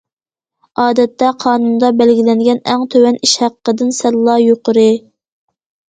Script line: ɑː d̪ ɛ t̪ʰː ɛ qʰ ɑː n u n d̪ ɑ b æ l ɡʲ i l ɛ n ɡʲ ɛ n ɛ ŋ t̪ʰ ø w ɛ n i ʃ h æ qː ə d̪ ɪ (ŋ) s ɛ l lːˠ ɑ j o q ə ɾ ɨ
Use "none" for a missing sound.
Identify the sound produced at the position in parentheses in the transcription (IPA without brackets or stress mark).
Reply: n